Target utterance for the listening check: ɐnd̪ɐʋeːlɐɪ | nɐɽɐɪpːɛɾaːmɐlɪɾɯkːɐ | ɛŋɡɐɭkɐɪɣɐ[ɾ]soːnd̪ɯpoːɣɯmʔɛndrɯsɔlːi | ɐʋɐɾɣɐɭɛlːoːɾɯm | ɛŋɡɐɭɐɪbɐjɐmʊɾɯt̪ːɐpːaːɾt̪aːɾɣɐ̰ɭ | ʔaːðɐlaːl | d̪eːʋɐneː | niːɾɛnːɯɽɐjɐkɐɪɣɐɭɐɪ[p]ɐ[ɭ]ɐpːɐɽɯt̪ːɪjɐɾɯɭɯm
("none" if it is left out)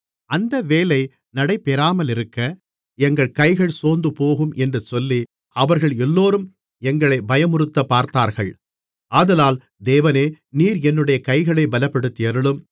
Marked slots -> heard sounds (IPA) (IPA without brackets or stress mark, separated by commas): ɭ, b, l